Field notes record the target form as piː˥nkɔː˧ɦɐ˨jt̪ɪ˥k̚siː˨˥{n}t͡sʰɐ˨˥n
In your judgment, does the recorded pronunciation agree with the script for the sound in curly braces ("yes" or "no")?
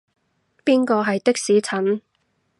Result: no